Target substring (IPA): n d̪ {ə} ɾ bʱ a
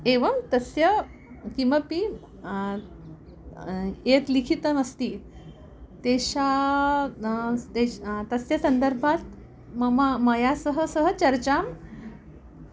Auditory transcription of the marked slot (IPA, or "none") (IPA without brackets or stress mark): ə